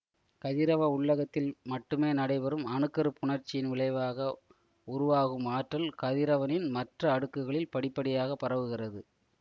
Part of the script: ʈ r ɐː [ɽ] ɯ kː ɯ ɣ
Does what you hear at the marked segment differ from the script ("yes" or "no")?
no